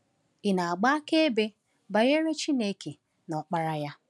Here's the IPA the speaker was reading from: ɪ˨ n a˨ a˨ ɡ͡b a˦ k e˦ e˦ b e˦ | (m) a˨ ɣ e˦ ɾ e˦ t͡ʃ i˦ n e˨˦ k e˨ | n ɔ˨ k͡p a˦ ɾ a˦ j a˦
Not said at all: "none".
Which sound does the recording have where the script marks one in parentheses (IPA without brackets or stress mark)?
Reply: b